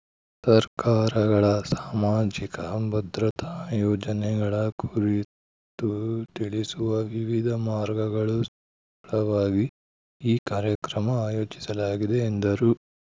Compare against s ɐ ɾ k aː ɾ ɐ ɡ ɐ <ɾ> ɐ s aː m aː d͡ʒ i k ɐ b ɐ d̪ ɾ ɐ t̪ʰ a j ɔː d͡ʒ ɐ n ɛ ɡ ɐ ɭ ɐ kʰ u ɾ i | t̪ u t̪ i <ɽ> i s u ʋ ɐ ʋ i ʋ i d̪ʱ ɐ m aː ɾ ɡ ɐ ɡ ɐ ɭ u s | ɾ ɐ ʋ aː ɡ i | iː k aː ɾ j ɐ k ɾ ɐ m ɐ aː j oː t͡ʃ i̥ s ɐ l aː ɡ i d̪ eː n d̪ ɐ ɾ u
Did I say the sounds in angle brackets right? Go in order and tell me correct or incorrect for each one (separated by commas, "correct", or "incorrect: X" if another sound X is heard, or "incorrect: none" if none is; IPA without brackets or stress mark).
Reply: incorrect: ɭ, incorrect: ɭ